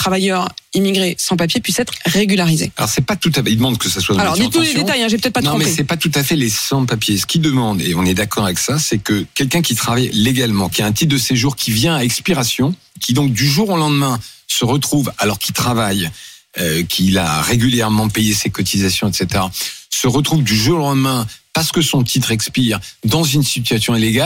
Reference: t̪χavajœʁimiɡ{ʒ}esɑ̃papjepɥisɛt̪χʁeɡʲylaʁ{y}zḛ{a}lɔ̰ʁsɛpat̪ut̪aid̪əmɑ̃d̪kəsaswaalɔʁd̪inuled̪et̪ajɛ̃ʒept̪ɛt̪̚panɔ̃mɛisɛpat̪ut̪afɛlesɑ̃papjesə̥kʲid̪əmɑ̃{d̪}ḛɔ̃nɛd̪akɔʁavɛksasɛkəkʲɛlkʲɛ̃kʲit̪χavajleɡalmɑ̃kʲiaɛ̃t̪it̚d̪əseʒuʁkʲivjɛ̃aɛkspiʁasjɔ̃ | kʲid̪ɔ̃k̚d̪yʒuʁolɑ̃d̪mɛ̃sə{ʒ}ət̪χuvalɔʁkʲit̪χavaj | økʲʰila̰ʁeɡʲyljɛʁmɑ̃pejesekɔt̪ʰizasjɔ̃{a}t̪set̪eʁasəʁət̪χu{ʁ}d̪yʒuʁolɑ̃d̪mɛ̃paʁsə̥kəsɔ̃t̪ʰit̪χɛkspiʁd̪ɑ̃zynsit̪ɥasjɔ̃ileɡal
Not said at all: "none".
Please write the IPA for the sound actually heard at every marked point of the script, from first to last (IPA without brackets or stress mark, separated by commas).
ʁ, i, a, d̪, ʁ, ɛ, v